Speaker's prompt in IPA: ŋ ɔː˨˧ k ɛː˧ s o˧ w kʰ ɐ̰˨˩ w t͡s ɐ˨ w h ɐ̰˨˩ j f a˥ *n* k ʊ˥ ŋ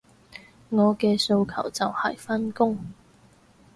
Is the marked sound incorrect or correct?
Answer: correct